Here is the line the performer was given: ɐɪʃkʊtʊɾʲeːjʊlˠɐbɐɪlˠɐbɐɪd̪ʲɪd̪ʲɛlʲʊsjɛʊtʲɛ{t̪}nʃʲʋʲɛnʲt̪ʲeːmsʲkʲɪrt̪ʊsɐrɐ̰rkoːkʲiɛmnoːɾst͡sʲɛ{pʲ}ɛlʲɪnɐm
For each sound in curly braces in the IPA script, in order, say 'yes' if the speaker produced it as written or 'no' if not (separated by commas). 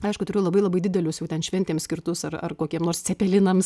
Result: no, yes